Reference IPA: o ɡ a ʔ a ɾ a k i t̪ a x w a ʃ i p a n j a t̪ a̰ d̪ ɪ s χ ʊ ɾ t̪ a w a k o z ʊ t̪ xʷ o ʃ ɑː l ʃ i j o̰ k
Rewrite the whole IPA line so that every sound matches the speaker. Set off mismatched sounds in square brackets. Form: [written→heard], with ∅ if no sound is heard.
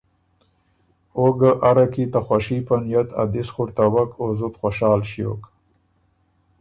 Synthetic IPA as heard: o ɡ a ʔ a ɾ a k i t̪ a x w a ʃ i p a n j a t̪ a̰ d̪ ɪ s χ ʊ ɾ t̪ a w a k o z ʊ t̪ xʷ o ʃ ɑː l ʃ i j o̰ k